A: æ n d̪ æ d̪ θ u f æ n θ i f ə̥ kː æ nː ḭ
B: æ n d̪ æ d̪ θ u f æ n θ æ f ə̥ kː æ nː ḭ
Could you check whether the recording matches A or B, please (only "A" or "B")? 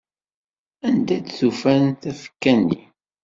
B